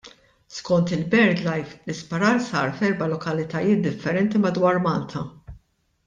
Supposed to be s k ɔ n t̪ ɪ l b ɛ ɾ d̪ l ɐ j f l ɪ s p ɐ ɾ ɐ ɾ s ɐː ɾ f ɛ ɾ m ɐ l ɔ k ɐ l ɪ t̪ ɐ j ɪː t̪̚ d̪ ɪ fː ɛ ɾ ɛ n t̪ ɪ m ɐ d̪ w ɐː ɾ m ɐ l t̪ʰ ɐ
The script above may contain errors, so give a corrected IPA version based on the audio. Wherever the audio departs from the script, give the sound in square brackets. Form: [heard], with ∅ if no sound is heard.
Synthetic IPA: s k ɔ n t̪ ɪ l b ɛ ɾ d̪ l ɐ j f l ɪ s p ɐ ɾ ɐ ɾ s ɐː ɾ f ɛ ɾ [b] ɐ l ɔ k ɐ l ɪ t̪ ɐ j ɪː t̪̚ d̪ ɪ fː ɛ ɾ ɛ n t̪ [i] m ɐ d̪ w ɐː ɾ m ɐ l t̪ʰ ɐ